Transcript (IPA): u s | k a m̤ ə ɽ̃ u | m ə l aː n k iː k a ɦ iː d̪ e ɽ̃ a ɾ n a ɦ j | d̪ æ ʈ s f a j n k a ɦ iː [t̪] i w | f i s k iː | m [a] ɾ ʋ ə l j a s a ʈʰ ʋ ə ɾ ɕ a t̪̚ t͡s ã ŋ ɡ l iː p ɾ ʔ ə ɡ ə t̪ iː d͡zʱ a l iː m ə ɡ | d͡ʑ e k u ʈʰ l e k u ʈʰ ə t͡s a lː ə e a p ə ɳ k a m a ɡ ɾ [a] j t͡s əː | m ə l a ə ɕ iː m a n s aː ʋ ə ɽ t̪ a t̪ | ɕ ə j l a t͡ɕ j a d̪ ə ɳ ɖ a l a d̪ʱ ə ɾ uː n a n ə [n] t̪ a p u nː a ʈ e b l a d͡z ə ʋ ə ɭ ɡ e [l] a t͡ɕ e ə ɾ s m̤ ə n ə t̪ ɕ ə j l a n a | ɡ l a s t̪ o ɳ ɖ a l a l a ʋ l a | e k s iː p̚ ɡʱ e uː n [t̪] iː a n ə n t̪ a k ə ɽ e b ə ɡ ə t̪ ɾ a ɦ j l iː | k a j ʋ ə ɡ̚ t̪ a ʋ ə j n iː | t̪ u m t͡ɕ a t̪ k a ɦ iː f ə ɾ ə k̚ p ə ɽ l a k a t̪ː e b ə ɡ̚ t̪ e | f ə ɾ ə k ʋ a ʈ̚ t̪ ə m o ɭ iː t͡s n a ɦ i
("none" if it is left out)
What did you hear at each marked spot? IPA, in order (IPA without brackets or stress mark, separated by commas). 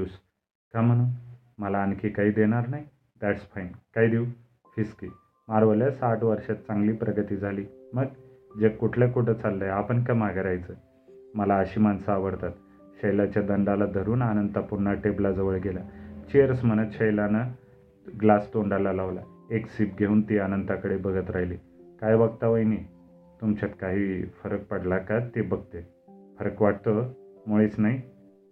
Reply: d̪, a, a, n, l, t̪